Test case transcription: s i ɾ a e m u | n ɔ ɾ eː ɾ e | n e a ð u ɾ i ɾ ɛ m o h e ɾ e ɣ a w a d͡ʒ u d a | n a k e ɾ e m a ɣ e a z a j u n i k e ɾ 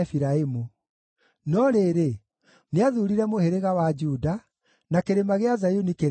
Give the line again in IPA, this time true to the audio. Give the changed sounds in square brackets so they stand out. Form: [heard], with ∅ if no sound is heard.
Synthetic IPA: [f] i ɾ a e m u | n ɔ ɾ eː ɾ e | n e a ð u ɾ i ɾ ɛ m o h e ɾ e ɣ a w a d͡ʒ u d a | n a k e ɾ e m a ɣ e a z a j u n i k e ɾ